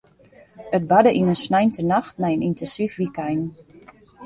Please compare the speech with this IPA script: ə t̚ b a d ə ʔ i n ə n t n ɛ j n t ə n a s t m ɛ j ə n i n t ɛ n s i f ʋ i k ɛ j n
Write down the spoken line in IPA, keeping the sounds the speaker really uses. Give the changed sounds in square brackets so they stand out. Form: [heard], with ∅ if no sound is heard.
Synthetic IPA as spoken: ə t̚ b a d ə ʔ i n ə n [s] n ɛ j n t ə n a [x] t [n] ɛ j ə n i n t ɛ n s i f ʋ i k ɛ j n